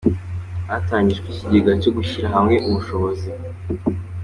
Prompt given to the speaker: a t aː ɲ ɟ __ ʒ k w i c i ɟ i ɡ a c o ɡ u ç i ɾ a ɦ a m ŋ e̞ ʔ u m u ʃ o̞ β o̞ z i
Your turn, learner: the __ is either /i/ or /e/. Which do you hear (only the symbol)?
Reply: i